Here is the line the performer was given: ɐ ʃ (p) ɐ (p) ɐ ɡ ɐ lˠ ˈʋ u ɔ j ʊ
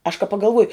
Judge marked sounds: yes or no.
no, yes

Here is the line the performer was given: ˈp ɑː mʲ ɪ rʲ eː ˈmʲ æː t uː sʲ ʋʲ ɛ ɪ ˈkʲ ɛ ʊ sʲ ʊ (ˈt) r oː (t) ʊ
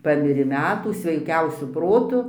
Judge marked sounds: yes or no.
no, yes

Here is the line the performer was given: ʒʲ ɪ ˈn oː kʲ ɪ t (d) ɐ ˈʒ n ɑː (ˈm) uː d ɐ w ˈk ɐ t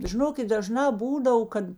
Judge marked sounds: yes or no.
yes, no

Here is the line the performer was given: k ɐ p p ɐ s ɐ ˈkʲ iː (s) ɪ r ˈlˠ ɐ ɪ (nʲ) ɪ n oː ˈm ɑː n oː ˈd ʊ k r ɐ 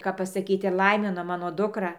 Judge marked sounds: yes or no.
no, no

